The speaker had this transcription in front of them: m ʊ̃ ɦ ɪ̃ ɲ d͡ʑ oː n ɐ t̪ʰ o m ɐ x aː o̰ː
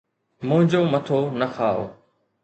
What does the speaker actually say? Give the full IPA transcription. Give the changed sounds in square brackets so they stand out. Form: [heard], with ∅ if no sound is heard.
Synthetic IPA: m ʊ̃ ɦ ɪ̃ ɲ d͡ʑ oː [m] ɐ t̪ʰ o [n] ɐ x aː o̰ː